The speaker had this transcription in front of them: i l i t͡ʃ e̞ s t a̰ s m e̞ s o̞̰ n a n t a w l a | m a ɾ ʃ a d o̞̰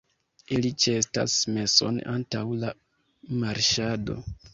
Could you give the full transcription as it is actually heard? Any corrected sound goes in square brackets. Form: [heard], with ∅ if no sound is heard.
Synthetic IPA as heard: i l i t͡ʃ e̞ s t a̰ s m e̞ s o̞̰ n a n t a w l a | m a ɾ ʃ a d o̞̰